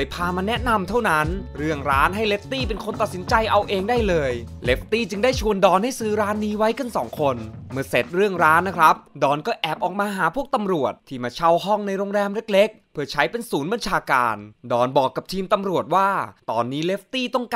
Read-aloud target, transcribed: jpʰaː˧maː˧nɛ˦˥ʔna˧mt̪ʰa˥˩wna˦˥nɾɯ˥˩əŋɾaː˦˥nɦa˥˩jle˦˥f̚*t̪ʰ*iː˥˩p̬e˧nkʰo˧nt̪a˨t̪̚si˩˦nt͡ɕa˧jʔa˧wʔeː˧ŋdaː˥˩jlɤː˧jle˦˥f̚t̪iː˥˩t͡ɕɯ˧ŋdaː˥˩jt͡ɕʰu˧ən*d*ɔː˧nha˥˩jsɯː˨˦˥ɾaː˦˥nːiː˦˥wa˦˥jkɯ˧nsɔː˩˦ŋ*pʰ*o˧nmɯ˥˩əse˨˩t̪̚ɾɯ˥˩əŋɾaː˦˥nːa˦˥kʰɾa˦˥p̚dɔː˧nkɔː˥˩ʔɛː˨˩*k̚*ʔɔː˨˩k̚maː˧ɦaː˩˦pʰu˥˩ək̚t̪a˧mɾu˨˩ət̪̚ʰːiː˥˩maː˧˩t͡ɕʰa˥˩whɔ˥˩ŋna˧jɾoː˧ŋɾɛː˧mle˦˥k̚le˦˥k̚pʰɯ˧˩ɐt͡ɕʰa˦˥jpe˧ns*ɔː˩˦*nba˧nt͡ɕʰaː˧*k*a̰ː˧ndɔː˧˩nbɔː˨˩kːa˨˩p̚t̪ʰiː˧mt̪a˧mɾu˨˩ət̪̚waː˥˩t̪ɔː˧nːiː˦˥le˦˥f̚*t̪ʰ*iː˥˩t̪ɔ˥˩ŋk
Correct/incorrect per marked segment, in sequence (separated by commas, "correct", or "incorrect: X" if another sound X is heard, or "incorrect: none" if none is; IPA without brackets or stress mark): incorrect: t̪, correct, incorrect: kʰ, incorrect: p̚, incorrect: uː˩˦, correct, incorrect: t̪